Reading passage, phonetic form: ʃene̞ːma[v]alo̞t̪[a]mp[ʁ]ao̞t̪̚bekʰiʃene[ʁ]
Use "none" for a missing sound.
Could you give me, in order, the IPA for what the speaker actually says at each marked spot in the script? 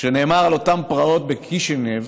ʁ, a, ʁ, v

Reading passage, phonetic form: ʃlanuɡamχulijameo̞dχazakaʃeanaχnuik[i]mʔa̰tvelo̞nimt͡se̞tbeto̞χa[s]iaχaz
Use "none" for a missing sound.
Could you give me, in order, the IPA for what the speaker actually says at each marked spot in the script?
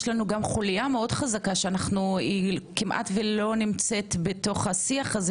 i, s

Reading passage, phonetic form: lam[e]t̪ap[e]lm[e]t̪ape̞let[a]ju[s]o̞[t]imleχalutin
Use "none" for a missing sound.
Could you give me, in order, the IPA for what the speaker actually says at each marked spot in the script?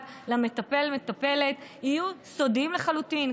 e, e, e, i, s, d

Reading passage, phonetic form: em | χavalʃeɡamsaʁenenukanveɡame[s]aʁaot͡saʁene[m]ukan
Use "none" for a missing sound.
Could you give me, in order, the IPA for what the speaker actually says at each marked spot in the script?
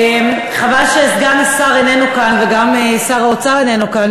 s, n

